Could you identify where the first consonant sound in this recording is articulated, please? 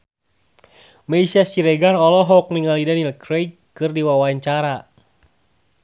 labial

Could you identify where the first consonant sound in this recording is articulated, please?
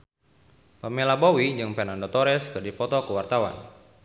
labial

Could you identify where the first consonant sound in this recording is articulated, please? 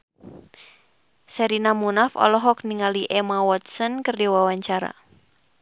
alveolar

